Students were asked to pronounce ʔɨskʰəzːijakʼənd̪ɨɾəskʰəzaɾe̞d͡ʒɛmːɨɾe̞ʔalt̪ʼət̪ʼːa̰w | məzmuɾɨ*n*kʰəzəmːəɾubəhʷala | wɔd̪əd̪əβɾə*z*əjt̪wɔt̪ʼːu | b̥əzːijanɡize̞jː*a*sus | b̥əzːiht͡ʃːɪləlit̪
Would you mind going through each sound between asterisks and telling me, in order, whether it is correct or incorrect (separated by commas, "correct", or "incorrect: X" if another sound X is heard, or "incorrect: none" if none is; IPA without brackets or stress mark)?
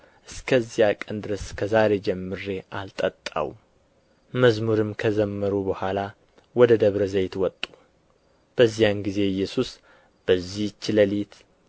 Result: incorrect: m, correct, incorrect: ɛ